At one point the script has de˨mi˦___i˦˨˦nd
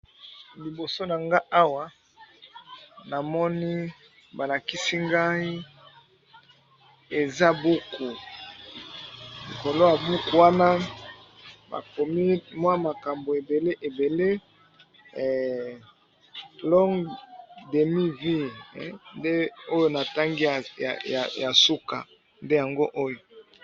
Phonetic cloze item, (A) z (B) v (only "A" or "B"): B